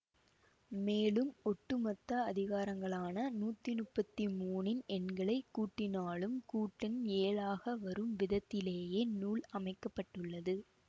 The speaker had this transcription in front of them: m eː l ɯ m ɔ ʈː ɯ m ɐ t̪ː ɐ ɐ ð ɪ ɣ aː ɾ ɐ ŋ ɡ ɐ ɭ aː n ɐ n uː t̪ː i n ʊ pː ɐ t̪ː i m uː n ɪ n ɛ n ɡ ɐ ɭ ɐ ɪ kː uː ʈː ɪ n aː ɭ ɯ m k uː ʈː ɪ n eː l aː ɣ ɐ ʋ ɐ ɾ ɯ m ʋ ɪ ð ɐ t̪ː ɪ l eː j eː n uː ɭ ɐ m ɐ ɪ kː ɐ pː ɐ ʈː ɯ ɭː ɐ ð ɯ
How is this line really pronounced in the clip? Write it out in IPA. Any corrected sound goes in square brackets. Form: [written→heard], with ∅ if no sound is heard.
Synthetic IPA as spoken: m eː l ɯ m ɔ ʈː ɯ m ɐ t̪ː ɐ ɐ ð ɪ ɣ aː ɾ ɐ ŋ ɡ ɐ ɭ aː n ɐ n uː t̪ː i n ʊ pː ɐ t̪ː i m uː n ɪ n ɛ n ɡ ɐ ɭ ɐ ɪ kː uː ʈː ɪ n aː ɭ ɯ m k uː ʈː ɪ n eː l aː ɣ ɐ ʋ ɐ ɾ ɯ m ʋ ɪ ð ɐ t̪ː ɪ l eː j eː n uː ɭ ɐ m ɐ ɪ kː ɐ pː ɐ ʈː ɯ ɭː ɐ ð ɯ